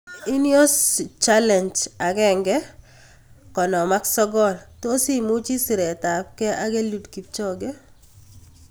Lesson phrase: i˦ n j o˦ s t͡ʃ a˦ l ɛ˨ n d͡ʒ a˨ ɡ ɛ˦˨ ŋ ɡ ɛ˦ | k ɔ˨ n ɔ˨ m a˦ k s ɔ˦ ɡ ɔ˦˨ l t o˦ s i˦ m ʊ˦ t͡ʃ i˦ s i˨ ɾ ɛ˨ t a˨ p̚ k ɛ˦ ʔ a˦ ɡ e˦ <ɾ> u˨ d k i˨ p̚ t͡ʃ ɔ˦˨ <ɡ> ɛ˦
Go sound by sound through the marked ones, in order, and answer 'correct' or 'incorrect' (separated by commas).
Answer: incorrect, correct